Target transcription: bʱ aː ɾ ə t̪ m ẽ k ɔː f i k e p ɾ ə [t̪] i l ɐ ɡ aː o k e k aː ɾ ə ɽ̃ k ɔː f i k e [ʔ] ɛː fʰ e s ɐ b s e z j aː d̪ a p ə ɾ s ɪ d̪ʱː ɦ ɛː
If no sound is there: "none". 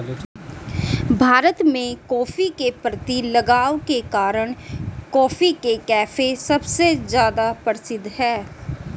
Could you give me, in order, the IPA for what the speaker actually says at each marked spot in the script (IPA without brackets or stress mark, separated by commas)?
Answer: t̪, k